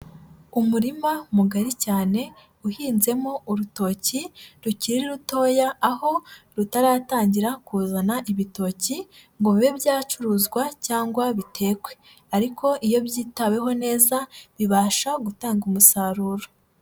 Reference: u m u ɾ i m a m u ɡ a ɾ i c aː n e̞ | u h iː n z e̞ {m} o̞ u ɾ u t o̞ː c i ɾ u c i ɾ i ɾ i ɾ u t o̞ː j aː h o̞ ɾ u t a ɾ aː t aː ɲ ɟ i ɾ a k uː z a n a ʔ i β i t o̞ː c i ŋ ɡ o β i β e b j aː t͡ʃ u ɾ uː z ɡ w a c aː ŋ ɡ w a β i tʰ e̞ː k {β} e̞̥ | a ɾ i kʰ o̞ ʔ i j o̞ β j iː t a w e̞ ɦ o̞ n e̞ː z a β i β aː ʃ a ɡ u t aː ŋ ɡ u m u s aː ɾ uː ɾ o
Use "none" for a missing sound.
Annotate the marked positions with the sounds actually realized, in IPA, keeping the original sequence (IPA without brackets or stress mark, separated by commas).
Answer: m, w